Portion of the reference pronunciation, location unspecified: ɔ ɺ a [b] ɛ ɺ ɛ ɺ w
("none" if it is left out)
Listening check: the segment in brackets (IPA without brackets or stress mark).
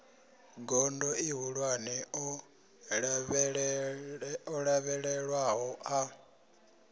β